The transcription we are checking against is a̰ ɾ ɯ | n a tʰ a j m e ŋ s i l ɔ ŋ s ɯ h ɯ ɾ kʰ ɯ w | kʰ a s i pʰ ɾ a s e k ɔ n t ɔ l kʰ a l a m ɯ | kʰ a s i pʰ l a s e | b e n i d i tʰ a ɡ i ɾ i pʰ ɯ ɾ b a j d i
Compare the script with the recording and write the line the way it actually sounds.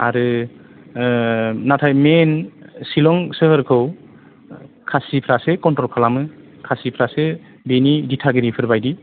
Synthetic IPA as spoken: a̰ ɾ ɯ | n a tʰ a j m e n s i l ɔ ŋ s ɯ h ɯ ɾ kʰ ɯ w | kʰ a s i pʰ ɾ a s e k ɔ n t ɔ l kʰ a l a m ɯ | kʰ a s i pʰ ɾ a s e | b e n i d i tʰ a ɡ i ɾ i pʰ ɯ ɾ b a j d i